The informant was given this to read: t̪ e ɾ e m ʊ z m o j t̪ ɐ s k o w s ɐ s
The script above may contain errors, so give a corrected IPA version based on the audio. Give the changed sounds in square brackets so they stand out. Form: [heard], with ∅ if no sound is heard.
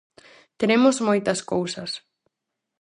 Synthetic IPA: t̪ e ɾ e m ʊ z m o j t̪ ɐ s k o w s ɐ s